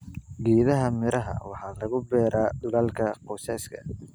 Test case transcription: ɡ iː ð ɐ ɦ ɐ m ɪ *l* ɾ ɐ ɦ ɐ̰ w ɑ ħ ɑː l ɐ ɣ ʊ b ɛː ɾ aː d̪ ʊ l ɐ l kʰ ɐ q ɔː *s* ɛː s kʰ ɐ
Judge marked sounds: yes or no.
no, yes

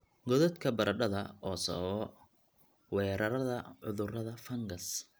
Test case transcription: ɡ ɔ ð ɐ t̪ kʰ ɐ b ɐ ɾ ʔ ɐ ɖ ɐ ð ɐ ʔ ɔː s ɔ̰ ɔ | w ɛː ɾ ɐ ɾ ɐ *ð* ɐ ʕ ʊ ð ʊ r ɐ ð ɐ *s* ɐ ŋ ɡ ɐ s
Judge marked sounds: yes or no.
yes, no

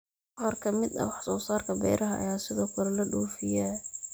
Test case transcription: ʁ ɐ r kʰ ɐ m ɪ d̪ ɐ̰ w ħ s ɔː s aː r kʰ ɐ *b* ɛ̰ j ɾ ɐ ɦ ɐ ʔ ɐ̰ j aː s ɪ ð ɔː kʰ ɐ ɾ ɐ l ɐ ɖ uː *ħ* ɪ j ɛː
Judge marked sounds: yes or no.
yes, no

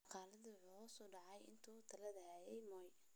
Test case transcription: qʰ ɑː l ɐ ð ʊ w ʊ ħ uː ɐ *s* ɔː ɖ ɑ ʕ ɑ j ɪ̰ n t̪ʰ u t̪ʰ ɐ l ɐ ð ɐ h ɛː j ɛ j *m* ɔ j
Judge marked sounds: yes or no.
yes, yes

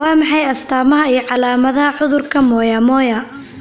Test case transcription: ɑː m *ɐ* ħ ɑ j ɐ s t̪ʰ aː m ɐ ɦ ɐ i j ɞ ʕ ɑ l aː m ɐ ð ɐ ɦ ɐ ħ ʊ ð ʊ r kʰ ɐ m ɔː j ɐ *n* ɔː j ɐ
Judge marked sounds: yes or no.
no, no

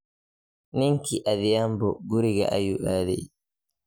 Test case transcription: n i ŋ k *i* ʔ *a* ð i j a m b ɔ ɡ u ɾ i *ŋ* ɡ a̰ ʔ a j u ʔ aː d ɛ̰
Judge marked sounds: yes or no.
yes, yes, no

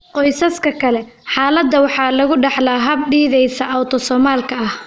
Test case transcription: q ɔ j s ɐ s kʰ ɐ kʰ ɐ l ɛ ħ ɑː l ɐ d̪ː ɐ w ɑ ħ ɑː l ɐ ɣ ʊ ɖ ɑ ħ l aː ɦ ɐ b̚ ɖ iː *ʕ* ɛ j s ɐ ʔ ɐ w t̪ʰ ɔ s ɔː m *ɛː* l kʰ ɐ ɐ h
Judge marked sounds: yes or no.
no, no

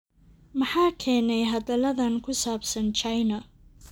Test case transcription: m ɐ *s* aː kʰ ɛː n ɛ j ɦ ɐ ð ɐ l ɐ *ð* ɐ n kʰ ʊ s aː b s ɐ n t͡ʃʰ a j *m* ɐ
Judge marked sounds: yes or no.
no, yes, no

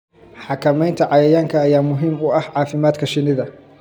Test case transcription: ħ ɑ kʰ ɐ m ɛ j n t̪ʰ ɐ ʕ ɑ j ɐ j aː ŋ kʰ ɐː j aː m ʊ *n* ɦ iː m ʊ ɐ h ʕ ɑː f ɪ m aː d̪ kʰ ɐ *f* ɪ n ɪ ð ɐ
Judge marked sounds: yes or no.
no, no

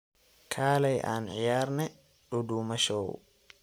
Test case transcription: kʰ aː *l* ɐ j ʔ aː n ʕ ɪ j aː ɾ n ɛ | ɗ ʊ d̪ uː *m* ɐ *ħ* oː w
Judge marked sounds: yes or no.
yes, yes, no

